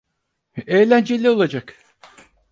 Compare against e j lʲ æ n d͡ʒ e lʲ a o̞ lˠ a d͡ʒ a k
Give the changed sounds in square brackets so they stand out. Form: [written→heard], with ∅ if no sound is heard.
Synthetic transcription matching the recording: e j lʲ æ n d͡ʒ e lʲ [a→i] o̞ lˠ a d͡ʒ a k